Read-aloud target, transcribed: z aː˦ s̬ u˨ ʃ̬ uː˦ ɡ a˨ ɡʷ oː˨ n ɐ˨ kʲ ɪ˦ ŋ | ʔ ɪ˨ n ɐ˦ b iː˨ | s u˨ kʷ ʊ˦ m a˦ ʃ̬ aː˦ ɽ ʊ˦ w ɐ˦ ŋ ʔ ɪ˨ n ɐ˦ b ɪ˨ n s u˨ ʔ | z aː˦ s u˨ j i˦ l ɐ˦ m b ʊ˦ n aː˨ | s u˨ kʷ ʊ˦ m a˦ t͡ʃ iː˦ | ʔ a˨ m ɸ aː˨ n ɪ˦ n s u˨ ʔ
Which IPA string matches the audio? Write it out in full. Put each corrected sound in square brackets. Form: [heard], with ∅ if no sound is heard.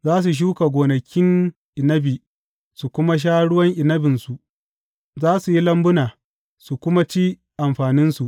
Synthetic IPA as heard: z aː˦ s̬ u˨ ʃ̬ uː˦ [k] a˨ ɡʷ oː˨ n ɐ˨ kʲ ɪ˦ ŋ | ʔ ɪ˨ n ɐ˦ b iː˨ | s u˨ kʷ ʊ˦ m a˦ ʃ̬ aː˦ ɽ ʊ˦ w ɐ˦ ŋ ʔ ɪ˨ n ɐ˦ b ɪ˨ n s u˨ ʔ | z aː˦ s u˨ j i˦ l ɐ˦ m b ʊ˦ n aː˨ | s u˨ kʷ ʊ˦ m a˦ t͡ʃ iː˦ | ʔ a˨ m ɸ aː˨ n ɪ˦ n s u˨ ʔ